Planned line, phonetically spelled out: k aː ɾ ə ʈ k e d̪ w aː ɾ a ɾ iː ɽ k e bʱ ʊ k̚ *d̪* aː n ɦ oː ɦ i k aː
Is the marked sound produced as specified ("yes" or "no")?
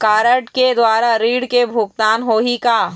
no